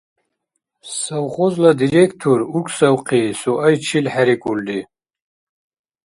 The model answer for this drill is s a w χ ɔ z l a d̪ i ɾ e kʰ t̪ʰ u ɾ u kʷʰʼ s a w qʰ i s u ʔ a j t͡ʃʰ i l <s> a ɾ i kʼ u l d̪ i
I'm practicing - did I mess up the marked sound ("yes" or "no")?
yes